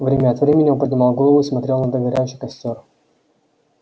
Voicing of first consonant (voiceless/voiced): voiced